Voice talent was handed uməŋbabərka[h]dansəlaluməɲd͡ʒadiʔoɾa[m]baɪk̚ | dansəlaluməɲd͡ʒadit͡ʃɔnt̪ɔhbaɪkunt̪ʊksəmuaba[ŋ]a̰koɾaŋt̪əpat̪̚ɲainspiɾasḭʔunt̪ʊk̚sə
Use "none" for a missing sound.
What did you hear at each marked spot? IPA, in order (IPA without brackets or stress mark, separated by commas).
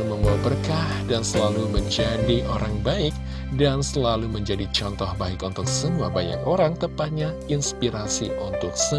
h, ŋ, ɲ